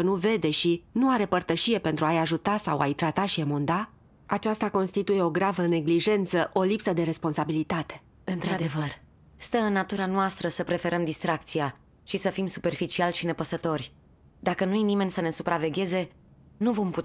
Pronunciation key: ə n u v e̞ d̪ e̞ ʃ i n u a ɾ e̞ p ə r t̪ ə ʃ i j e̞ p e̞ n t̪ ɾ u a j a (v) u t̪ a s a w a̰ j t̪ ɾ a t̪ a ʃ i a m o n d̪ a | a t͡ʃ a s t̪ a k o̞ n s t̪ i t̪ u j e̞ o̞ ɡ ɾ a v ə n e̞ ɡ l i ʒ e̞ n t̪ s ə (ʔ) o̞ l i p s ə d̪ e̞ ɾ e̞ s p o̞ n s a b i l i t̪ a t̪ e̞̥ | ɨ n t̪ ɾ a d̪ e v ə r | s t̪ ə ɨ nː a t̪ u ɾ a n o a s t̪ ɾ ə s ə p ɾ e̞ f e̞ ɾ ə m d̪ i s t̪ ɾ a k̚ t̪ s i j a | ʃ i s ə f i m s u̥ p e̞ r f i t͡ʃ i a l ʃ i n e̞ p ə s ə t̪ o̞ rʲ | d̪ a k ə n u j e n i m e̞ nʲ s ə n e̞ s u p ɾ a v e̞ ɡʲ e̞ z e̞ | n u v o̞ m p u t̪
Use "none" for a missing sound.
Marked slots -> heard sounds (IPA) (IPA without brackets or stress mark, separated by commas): ʒ, ʔ